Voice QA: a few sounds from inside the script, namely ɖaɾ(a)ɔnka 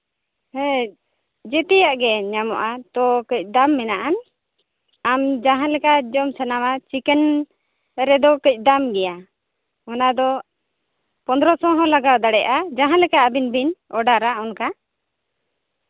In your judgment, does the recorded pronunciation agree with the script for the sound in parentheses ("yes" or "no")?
yes